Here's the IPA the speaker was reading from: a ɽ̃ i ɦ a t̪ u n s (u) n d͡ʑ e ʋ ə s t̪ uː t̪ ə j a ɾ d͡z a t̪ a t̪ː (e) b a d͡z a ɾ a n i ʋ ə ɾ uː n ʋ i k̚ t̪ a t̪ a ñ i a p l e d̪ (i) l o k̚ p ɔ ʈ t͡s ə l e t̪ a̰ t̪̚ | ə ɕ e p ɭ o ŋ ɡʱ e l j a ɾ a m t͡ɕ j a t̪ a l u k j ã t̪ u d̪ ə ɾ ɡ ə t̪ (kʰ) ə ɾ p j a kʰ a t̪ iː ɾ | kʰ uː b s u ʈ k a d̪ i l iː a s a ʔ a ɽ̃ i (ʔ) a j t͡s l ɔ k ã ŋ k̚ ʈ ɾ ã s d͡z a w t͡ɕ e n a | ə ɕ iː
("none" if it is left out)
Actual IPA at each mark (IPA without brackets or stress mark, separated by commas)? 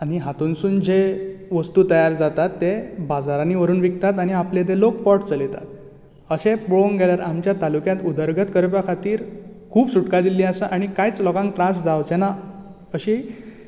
uː, e, e, k, k